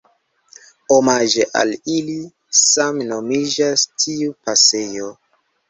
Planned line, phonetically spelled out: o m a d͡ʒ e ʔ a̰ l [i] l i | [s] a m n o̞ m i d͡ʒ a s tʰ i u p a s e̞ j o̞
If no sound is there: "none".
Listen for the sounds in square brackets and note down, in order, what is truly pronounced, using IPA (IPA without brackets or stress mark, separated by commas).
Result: i, s